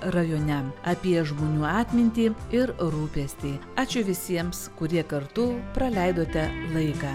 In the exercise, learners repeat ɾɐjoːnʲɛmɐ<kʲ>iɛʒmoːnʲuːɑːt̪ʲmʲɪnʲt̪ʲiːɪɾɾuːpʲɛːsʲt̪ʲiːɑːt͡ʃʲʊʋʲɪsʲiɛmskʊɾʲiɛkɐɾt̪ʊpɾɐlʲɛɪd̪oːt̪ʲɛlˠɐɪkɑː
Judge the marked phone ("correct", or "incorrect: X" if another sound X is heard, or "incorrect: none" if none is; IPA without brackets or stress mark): incorrect: pʲ